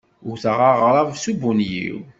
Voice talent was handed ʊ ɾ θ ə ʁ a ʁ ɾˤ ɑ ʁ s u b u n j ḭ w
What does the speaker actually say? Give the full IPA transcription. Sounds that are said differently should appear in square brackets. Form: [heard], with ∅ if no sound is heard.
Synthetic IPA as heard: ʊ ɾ θ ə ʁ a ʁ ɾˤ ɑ [v] s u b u n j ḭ w